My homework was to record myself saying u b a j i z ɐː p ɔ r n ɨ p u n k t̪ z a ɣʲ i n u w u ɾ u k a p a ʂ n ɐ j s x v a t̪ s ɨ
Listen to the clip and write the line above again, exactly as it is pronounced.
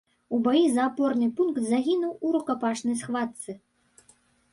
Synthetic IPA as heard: u b a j i z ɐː p ɔ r n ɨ p u n k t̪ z a ɣʲ i n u w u ɾ u k a p a ʂ n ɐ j s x v a t̪ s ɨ